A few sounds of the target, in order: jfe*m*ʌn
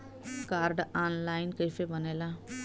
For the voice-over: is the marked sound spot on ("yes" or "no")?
no